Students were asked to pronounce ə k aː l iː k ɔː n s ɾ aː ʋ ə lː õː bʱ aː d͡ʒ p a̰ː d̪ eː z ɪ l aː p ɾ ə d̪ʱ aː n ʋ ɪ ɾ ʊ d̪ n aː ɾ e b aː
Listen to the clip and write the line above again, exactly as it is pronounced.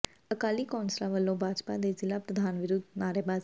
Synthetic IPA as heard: ə k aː l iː k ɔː n s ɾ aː ʋ ə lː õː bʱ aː d͡ʒ p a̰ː d̪ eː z ɪ l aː p ɾ ə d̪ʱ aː n ʋ ɪ ɾ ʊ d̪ n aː ɾ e b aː